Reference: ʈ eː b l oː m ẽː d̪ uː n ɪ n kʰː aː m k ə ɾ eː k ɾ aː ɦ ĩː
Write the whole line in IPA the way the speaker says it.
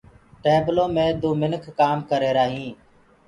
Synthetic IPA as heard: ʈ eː b l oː m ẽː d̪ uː m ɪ n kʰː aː m k ə ɾ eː ɾ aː ɦ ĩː